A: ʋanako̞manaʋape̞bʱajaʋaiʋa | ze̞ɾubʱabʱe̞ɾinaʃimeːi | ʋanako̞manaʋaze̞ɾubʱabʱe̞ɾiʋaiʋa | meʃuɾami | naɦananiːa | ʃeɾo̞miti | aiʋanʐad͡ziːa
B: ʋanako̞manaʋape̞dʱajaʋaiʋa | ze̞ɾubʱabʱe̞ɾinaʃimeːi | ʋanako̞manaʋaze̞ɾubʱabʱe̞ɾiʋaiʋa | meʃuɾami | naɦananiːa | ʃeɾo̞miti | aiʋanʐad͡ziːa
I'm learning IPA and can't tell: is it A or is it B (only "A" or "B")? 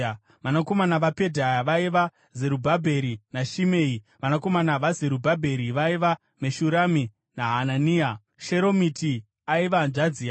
B